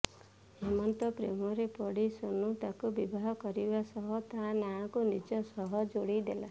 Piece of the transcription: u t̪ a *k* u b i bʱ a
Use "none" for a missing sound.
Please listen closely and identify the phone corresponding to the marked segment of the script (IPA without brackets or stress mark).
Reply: k